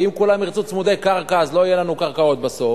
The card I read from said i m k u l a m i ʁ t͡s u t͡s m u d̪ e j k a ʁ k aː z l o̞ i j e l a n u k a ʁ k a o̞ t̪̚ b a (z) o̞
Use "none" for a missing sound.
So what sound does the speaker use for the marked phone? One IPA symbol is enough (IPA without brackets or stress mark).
s